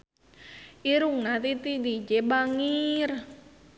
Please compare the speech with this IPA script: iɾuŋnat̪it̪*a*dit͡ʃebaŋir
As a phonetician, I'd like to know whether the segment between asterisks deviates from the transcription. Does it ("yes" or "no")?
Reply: yes